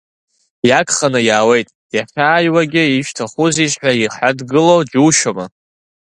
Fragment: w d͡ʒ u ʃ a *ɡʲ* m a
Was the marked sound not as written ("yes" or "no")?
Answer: yes